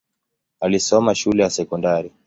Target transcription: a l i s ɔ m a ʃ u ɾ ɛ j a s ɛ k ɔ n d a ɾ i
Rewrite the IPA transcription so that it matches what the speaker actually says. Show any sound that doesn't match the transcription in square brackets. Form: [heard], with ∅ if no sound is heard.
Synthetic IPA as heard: a l i s ɔ m a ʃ u [l] ɛ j a s ɛ k ɔ n d a ɾ i